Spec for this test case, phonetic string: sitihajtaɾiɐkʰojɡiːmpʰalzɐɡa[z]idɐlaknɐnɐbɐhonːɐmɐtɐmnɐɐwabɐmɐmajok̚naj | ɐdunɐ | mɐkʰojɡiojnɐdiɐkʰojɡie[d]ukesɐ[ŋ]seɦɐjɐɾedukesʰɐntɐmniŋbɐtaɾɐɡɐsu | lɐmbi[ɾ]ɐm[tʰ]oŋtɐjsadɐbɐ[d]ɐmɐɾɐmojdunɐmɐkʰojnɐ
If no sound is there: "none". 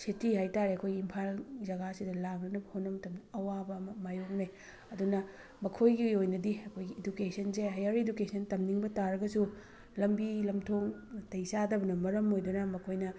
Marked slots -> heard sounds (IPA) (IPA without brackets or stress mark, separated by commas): s, d, n, l, tʰ, n